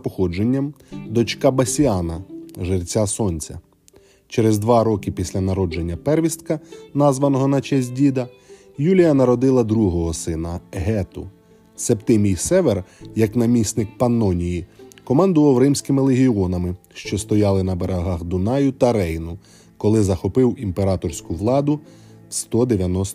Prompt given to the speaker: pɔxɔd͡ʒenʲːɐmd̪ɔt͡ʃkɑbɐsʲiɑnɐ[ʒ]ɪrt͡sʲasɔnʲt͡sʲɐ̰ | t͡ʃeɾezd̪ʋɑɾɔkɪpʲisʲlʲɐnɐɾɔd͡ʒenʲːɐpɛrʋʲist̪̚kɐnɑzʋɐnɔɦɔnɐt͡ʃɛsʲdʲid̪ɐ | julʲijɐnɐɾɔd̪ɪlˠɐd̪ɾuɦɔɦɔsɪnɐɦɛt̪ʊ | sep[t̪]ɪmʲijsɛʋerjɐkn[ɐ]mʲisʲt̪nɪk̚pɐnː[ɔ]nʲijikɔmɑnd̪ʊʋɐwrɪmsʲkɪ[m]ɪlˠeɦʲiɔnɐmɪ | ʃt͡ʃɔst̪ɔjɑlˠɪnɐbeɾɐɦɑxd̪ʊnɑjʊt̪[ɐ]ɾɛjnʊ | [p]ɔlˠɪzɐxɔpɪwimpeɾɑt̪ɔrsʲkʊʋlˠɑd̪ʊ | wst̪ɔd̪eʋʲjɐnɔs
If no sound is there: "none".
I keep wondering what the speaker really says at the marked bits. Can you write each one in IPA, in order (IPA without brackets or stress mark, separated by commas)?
ʒ, t̪, ɐ, ɔ, m, ɐ, k